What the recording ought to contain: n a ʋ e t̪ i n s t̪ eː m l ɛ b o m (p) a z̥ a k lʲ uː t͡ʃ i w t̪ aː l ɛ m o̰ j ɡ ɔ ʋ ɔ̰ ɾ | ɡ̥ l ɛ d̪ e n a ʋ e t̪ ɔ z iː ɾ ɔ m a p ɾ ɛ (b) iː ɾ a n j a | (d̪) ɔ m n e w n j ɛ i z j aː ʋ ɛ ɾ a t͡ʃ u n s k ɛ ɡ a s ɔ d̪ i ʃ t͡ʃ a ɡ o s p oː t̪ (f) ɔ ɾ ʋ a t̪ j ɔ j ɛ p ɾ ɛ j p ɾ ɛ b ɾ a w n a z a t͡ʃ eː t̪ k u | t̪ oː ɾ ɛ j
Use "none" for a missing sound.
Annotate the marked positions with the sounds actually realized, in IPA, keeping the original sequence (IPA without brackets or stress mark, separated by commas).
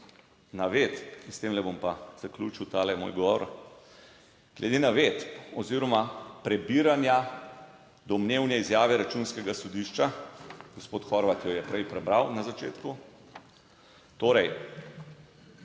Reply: p, b, d̪, x